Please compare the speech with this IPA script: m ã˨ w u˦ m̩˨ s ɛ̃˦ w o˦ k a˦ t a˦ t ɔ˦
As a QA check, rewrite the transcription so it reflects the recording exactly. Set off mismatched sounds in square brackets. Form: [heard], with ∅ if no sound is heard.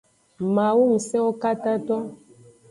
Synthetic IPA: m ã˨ w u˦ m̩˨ s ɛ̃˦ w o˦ k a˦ t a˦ t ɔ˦